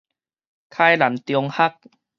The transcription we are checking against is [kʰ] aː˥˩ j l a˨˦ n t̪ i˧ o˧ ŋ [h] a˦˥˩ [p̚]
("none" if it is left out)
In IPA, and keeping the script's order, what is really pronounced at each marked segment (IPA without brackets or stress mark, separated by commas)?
kʰ, h, k̚